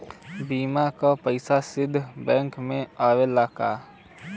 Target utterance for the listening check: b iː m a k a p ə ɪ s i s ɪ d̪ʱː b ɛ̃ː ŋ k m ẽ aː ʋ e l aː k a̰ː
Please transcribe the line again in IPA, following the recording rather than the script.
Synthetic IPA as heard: b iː m a k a p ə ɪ s a s ɪ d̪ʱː b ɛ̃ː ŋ k m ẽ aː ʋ e l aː k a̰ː